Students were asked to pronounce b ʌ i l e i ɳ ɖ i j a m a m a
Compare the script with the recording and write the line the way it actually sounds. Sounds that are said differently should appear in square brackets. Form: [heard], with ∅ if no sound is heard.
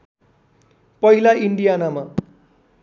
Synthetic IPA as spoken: [p] ʌ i l [a] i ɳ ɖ i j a [n] a m a